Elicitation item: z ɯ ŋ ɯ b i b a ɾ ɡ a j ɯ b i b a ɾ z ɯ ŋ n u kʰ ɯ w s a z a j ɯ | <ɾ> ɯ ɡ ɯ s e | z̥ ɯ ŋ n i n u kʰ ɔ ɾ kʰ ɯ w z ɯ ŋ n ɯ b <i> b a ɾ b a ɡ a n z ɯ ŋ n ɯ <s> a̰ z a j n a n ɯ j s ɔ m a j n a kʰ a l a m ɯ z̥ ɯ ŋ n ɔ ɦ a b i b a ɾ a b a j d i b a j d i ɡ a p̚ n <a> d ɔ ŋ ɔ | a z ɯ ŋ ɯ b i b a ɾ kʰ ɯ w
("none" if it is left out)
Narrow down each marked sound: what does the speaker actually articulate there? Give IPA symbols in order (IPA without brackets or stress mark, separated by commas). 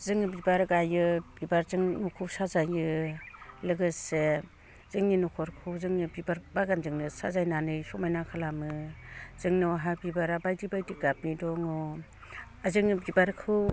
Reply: l, i, s, i